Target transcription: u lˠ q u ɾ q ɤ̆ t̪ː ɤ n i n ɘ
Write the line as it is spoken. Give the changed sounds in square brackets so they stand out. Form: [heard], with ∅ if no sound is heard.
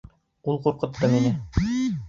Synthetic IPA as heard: u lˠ q u ɾ q ɤ̆ t̪ː ɤ [m] i n ɘ